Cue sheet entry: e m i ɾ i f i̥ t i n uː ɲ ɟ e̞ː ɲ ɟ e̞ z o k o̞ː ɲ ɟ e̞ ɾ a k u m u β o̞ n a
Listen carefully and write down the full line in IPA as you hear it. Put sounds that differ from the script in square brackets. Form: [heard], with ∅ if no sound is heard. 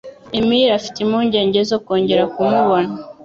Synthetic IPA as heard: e m i ɾ [a] f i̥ t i [m] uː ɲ ɟ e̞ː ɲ ɟ e̞ z o k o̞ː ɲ ɟ e̞ ɾ a k u m u β o̞ n a

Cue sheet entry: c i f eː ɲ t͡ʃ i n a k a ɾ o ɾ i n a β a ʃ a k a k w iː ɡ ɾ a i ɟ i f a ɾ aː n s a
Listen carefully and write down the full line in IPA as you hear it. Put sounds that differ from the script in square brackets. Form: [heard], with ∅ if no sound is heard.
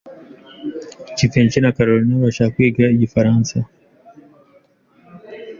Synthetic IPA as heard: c i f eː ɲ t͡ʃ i n a k a ɾ o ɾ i n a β a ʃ a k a k w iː ɡ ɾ a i ɟ i f a ɾ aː n s a

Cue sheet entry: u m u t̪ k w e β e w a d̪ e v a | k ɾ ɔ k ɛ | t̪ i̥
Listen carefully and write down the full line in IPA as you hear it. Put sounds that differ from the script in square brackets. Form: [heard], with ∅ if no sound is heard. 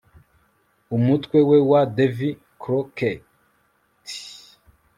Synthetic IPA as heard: u m u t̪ k w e [w] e w a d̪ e v [i] | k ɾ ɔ k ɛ | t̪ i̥

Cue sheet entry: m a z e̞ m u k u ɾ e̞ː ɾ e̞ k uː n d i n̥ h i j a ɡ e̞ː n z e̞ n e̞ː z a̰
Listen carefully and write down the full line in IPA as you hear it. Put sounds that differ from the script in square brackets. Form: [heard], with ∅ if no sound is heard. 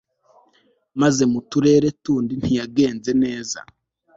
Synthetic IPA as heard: m a z e̞ m u [t] u ɾ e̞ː ɾ e̞ [t] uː n d i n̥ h i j a ɡ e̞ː n z e̞ n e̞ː z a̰

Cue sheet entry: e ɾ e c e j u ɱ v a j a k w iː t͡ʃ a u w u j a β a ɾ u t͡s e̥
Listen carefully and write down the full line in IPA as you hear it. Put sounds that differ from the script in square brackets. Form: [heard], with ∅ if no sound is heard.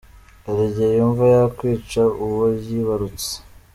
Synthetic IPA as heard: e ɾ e [ɟ] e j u ɱ v a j a k w iː t͡ʃ a u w [o] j [i] β a ɾ u t͡s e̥

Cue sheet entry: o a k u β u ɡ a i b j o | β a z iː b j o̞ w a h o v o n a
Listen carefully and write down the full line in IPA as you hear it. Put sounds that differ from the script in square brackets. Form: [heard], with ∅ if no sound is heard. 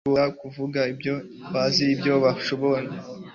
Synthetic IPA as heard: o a k u [v] u ɡ a i b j o | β a z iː b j o̞ [β] a [ʃ] o [β] o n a

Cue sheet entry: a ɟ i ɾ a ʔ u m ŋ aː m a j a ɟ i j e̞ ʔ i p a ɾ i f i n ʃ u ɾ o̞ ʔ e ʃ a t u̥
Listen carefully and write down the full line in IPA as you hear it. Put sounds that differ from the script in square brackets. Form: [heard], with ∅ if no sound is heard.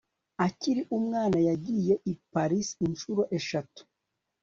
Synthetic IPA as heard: a [c] i ɾ [i] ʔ u m ŋ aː [n] a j a ɟ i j e̞ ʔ i p a ɾ i [s] i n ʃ u ɾ o̞ ʔ e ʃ a t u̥

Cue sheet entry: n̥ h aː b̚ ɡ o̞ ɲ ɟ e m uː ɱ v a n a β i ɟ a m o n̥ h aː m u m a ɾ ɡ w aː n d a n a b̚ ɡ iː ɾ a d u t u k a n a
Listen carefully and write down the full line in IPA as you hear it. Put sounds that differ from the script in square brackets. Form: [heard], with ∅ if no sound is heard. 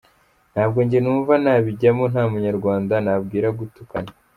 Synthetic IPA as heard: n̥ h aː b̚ ɡ o̞ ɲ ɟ e [n] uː ɱ v a n a β i ɟ a m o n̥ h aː m u [ɲ] a ɾ ɡ w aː n d a n a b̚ ɡ iː ɾ a [ɡ] u t u k a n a

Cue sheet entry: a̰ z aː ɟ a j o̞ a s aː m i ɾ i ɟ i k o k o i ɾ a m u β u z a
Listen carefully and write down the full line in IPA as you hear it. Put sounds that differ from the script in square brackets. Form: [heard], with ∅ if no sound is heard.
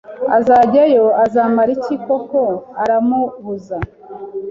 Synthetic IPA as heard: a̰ z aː ɟ a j o̞ a [z] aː m [a] ɾ i [c] i k o k o [a] ɾ a m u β u z a

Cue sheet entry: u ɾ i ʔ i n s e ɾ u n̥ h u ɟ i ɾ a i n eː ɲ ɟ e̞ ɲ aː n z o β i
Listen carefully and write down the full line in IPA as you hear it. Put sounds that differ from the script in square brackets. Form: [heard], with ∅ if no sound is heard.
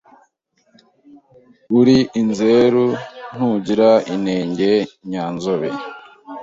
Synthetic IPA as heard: u ɾ i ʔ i n [z] e ɾ u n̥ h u ɟ i ɾ a i n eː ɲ ɟ e̞ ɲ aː n z o β [e]

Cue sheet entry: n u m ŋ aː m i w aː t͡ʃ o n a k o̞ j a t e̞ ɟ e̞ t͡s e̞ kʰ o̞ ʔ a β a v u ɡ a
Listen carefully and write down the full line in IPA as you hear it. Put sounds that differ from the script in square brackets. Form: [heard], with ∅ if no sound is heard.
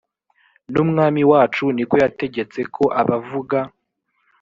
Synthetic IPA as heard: n u m ŋ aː m i w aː t͡ʃ [u] n [i] k o̞ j a t e̞ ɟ e̞ t͡s e̞ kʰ o̞ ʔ a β a v u ɡ a

